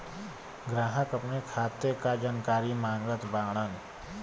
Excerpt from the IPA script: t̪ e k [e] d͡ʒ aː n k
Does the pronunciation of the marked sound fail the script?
yes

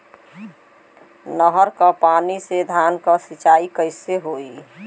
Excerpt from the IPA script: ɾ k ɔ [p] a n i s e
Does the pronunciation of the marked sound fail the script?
no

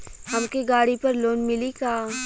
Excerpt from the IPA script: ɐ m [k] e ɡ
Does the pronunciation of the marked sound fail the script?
no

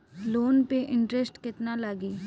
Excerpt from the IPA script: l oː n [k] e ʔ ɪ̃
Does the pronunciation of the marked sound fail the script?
yes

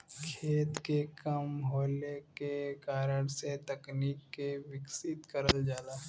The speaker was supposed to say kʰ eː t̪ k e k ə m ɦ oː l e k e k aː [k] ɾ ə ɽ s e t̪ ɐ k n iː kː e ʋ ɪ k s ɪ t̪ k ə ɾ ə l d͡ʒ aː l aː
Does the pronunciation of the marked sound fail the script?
yes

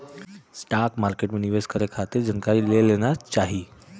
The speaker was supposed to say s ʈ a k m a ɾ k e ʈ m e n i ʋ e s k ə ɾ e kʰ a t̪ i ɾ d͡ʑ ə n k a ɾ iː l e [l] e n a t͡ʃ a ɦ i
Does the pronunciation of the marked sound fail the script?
no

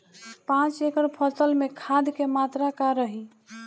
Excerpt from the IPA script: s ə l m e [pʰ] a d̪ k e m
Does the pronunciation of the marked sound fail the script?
yes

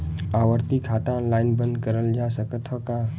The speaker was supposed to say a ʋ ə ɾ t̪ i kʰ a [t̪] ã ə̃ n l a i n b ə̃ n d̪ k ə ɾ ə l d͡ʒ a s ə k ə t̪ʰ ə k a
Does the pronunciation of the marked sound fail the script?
no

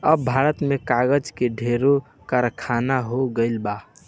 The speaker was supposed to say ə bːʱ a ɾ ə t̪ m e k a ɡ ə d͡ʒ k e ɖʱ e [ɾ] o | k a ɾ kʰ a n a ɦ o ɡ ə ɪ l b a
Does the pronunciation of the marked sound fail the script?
no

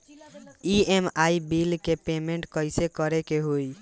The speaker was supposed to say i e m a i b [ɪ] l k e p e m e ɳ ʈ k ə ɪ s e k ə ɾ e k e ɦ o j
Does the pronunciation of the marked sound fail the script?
yes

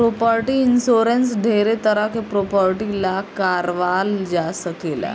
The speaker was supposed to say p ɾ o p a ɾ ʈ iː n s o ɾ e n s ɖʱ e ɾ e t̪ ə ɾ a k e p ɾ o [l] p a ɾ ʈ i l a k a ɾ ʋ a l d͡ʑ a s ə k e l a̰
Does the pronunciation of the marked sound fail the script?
yes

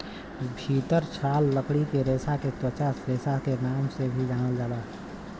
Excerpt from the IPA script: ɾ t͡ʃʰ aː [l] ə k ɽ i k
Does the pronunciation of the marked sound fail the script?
yes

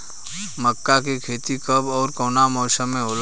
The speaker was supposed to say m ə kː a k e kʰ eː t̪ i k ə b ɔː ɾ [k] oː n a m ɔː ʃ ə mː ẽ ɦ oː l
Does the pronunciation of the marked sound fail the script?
no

